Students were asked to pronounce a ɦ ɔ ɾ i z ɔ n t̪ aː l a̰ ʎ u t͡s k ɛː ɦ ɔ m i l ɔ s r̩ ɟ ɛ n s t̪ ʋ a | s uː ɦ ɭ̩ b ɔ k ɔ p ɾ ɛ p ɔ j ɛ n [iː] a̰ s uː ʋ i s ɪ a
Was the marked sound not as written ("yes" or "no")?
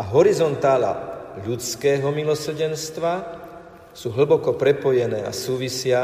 yes